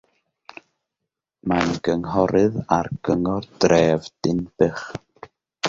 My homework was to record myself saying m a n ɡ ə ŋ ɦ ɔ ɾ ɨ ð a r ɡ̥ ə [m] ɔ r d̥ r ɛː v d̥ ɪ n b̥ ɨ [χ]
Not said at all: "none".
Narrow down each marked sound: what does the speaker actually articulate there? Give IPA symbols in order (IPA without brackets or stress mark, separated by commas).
ŋ, χ